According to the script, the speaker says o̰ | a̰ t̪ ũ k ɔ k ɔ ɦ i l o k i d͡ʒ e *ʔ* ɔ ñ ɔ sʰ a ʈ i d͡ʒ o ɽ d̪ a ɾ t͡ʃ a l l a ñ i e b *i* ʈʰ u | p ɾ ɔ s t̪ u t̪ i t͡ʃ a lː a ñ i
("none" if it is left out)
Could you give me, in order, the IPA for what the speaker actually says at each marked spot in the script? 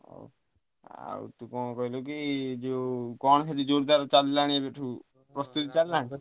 k, e

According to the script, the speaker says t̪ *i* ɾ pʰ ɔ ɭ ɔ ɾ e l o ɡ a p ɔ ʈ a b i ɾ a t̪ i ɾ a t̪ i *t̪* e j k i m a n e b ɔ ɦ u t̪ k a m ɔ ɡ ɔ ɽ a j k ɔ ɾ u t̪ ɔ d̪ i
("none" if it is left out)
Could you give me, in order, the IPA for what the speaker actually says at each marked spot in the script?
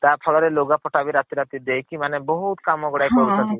a, d̪

